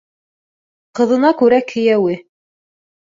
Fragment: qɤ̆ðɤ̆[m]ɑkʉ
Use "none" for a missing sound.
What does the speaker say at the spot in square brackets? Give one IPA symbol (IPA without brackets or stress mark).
n